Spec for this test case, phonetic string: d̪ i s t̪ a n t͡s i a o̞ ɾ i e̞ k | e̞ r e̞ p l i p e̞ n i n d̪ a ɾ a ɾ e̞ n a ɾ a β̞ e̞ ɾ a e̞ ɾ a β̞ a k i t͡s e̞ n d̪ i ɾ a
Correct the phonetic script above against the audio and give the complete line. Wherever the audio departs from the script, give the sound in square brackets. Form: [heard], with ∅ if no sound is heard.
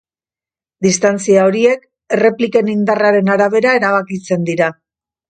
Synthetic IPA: d̪ i s t̪ a n t͡s i a o̞ ɾ i e̞ k | e̞ r e̞ p l i [k] e̞ n i n d̪ a [r] a ɾ e̞ n a ɾ a β̞ e̞ ɾ a e̞ ɾ a β̞ a k i t͡s e̞ n d̪ i ɾ a

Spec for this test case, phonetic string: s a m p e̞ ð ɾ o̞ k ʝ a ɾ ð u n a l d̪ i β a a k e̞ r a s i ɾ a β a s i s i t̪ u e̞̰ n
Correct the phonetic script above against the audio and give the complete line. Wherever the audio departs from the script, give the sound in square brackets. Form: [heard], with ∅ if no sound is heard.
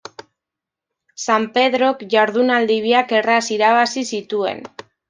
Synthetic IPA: s a m p e̞ ð ɾ o̞ k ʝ a ɾ ð u n a l d̪ i β [i] a k e̞ r a s i ɾ a β a s i s i t̪ u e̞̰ n

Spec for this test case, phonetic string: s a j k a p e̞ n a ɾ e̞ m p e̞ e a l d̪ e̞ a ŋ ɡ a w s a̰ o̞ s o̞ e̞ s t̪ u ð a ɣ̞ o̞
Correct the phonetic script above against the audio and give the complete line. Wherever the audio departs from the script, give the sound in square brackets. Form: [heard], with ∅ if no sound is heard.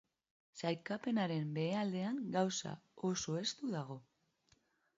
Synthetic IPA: s a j k a p e̞ n a ɾ e̞ m [b] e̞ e a l d̪ e̞ a ŋ ɡ a w s a̰ o̞ s o̞ e̞ s t̪ u ð a ɣ̞ o̞

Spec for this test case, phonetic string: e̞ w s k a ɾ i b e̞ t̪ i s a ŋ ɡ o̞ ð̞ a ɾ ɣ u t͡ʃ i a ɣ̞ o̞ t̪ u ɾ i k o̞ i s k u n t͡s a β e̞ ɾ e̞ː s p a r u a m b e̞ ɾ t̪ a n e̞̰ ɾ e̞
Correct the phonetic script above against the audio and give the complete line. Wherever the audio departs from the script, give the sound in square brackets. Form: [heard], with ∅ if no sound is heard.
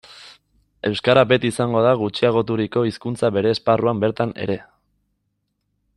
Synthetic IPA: e̞ w s k a ɾ [a] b e̞ t̪ i s a ŋ ɡ o̞ ð̞ a [∅] ɣ u t͡ʃ i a ɣ̞ o̞ t̪ u ɾ i k o̞ i s k u n t͡s a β e̞ ɾ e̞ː s p a r u a m b e̞ ɾ t̪ a n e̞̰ ɾ e̞

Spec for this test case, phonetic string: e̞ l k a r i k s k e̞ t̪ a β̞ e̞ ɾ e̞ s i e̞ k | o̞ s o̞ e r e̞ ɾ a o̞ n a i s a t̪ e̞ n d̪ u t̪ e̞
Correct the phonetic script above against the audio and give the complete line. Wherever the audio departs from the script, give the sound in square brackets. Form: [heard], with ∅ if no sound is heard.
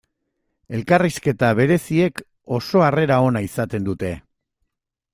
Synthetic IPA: e̞ l k a r i [∅] s k e̞ t̪ a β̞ e̞ ɾ e̞ s i e̞ k | o̞ s o̞ [a] r e̞ ɾ a o̞ n a i s a t̪ e̞ n d̪ u t̪ e̞

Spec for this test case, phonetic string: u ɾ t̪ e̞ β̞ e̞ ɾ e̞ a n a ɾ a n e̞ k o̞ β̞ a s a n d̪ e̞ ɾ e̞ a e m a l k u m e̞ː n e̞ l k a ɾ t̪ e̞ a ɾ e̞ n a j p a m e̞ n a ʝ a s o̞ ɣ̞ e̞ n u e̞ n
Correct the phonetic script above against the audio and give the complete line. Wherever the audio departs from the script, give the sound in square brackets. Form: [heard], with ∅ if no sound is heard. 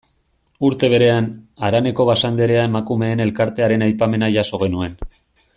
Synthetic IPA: u ɾ t̪ e̞ β̞ e̞ ɾ e̞ a n a ɾ a n e̞ k o̞ β̞ a s a n d̪ e̞ ɾ e̞ a e m a [∅] k u m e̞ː n e̞ l k a ɾ t̪ e̞ a ɾ e̞ n a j p a m e̞ n a ʝ a s o̞ ɣ̞ e̞ n u e̞ n

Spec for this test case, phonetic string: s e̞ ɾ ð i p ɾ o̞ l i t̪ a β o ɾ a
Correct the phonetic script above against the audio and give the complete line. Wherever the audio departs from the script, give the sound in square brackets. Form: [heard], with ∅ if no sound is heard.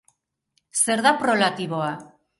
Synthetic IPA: s e̞ ɾ ð [a] p ɾ o̞ l [a] t̪ [i] β o [∅] a

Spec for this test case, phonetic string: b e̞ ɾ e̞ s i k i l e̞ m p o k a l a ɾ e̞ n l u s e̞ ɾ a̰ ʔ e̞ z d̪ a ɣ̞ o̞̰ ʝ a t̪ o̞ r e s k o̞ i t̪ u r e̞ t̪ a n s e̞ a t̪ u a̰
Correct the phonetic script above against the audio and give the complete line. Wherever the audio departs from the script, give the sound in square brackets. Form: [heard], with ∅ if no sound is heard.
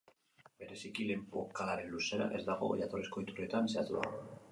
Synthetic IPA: b e̞ ɾ e̞ s i k i l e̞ m p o k a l a ɾ e̞ n l u s e̞ ɾ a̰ ʔ e̞ z d̪ a ɣ̞ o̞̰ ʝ a t̪ o̞ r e s k o̞ i t̪ u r e̞ t̪ a n s e̞ a t̪ u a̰

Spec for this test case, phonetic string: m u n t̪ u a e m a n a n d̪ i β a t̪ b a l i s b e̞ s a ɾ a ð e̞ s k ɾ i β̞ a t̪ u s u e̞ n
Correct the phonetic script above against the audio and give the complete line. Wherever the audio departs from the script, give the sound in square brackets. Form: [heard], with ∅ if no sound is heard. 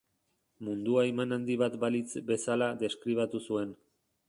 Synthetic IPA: m u n [d̪] u a e m a n a n d̪ i β a t̪ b a l i [t͡s] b e̞ s a [l] a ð e̞ s k ɾ i β̞ a t̪ u s u e̞ n

